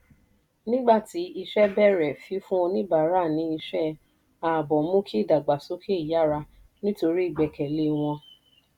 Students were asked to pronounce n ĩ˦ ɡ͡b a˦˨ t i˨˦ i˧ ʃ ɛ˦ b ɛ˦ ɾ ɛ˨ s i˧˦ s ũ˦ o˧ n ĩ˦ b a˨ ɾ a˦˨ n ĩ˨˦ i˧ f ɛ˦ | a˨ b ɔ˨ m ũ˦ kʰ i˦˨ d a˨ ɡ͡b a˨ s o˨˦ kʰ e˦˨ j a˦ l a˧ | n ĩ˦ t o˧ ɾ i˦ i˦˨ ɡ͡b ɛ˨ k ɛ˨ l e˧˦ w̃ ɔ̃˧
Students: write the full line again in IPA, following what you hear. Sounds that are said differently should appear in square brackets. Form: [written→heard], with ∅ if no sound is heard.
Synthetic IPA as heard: n ĩ˦ ɡ͡b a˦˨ t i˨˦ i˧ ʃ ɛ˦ b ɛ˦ ɾ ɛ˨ [s→f] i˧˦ [s→f] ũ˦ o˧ n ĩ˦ b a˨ ɾ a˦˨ n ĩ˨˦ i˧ [f→ʃ] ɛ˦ | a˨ b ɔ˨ m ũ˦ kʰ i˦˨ d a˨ ɡ͡b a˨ s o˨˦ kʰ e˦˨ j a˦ [l→ɾ] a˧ | n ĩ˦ t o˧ ɾ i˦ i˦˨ ɡ͡b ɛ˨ k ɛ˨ l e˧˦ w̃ ɔ̃˧

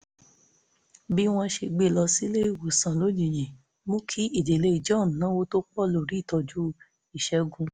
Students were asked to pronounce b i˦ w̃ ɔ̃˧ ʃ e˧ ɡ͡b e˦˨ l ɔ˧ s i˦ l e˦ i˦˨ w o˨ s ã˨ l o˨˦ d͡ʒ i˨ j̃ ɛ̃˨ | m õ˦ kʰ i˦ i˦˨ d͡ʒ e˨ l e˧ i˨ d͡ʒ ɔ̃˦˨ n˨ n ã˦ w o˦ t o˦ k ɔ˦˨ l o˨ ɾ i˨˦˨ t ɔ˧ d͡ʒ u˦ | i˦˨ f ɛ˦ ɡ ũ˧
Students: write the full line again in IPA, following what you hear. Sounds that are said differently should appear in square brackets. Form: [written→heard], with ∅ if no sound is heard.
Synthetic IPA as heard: b i˦ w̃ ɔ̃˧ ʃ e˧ ɡ͡b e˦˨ l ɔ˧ s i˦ l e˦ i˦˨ w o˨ s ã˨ l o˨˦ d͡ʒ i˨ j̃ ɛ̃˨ | m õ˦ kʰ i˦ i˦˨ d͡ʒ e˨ l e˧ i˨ d͡ʒ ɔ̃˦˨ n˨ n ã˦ w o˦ t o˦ [k→k͡p] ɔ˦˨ l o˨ ɾ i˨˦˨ t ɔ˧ d͡ʒ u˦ | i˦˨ [f→ʃ] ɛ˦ ɡ ũ˧

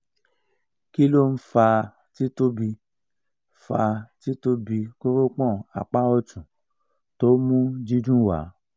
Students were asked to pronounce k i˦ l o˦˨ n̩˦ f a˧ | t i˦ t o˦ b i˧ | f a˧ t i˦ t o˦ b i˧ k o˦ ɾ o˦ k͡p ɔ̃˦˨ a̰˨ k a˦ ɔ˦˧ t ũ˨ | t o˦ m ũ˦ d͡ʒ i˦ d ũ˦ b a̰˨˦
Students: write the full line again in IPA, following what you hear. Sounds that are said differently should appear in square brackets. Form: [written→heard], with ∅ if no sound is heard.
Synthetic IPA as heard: k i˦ l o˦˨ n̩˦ f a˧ | t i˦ t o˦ b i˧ | f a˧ t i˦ t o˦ b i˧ k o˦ ɾ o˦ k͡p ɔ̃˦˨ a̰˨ [k→k͡p] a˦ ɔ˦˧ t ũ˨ | t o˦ m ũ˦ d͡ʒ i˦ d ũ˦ [b→w] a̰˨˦

